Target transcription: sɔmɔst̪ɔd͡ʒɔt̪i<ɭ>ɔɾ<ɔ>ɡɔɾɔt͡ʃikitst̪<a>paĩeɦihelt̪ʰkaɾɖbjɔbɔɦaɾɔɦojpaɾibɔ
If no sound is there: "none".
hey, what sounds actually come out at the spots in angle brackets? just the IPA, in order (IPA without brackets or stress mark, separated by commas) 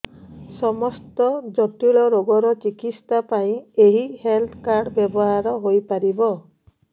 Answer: ɭ, o, a